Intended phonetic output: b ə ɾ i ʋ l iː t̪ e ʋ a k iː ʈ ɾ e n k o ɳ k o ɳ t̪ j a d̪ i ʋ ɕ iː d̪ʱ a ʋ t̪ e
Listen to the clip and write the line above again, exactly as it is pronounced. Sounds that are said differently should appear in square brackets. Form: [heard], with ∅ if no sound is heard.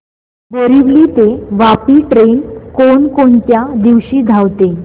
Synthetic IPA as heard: b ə ɾ i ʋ l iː t̪ e ʋ a [p] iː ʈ ɾ e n k o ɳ k o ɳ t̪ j a d̪ i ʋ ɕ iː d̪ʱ a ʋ t̪ e